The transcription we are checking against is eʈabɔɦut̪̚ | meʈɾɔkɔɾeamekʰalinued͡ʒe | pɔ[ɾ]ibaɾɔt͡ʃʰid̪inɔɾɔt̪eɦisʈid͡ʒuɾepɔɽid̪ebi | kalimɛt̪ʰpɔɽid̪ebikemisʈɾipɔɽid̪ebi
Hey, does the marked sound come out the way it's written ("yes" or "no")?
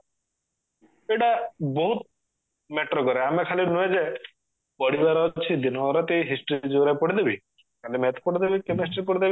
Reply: no